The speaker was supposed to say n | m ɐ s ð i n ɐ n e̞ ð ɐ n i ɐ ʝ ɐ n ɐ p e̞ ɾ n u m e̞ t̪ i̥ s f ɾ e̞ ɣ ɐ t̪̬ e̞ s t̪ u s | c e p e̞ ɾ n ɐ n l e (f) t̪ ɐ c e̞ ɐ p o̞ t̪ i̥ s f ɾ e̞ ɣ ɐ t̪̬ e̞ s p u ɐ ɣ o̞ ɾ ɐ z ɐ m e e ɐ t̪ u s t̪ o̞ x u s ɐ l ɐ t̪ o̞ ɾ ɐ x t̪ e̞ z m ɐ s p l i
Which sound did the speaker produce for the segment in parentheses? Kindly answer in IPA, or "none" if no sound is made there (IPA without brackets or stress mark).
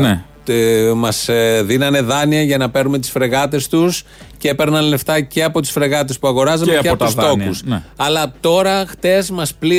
f